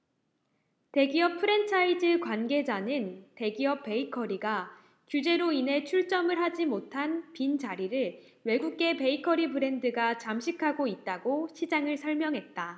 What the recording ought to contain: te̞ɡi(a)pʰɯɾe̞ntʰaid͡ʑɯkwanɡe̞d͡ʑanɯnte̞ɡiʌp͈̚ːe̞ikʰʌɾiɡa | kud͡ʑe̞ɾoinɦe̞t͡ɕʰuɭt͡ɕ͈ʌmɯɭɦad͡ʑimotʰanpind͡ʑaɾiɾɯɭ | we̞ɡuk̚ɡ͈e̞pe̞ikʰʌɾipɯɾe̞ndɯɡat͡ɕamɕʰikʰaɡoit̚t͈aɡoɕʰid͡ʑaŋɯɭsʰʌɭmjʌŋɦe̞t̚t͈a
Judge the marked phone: incorrect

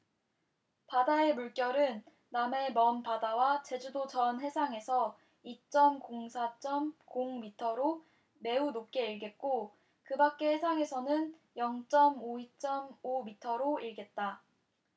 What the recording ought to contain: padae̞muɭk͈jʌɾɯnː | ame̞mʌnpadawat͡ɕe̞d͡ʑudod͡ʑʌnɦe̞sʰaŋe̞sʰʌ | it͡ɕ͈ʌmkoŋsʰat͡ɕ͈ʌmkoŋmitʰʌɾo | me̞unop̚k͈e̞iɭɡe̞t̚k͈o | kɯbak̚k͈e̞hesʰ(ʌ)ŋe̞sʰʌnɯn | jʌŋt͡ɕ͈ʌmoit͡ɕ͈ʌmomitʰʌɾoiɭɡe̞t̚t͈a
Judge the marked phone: incorrect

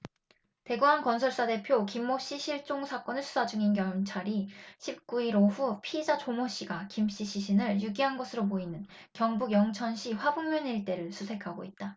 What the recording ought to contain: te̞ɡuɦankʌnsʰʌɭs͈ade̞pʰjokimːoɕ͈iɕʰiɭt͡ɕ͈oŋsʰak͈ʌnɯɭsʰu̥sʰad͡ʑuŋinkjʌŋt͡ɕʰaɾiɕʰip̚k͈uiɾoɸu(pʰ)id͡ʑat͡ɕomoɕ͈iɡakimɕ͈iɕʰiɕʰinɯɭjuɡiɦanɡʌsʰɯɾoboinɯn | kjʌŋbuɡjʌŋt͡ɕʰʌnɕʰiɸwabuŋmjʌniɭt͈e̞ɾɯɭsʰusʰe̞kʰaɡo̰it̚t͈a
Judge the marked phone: correct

